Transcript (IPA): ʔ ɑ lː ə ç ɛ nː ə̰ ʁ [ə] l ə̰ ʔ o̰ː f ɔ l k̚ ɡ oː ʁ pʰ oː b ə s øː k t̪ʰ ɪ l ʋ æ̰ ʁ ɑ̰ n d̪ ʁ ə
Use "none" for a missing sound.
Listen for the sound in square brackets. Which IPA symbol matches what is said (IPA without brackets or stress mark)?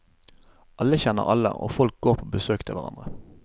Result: ɑ